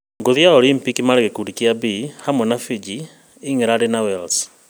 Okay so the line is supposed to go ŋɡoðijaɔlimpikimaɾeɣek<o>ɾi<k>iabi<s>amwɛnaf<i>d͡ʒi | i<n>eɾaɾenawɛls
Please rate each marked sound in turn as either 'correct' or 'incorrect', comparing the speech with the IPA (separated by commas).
incorrect, correct, incorrect, correct, incorrect